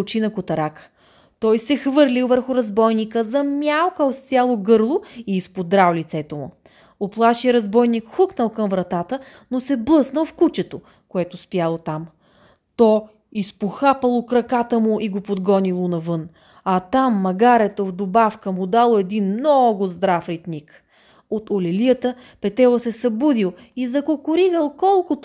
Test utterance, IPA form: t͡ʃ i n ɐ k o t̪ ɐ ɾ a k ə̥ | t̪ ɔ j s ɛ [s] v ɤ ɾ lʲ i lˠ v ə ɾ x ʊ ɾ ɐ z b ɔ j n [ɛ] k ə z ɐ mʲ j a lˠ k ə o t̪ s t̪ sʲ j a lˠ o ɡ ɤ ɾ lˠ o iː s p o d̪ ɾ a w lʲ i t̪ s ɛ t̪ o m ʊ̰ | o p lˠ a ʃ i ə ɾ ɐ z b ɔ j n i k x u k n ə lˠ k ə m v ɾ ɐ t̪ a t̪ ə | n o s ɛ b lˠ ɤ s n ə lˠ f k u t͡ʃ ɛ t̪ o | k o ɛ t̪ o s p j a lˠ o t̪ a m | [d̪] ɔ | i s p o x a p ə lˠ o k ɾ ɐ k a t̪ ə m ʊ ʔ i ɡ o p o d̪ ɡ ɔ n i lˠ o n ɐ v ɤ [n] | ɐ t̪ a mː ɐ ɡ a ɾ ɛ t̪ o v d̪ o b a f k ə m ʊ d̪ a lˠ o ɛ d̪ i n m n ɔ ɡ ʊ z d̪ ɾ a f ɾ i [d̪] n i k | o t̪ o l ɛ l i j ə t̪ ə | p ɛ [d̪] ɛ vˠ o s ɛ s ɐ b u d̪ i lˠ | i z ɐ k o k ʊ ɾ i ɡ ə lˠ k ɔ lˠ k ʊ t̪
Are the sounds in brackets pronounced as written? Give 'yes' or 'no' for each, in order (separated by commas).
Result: no, no, no, yes, no, no